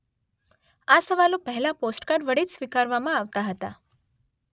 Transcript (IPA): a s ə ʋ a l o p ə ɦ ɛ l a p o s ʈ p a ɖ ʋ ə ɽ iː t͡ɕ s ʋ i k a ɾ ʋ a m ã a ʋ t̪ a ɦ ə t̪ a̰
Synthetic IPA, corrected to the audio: a s ə ʋ a l o p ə ɦ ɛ l a p o s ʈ k a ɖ ʋ ə ɽ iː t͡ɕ s ʋ i k a ɾ ʋ a m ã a ʋ t̪ a ɦ ə t̪ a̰